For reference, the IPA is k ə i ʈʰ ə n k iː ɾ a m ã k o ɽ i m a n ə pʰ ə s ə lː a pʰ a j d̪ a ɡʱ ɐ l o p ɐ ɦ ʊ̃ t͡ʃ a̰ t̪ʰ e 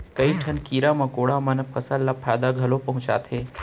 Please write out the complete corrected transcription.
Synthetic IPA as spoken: k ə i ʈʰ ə n k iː ɾ a m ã k o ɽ a m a n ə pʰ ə s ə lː a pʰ a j d̪ a ɡʱ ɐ l o p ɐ ɦ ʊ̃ t͡ʃ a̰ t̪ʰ e